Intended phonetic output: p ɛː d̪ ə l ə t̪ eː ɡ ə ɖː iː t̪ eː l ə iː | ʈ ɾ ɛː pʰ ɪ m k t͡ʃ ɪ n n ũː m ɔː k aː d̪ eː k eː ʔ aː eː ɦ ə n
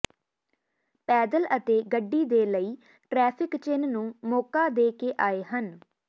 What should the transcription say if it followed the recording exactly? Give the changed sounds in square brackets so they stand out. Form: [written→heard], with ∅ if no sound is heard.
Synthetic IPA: p ɛː d̪ ə l ə t̪ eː ɡ ə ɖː iː [t̪→d̪] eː l ə iː | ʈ ɾ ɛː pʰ ɪ [m→∅] k t͡ʃ ɪ n n ũː m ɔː k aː d̪ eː k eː ʔ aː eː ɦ ə n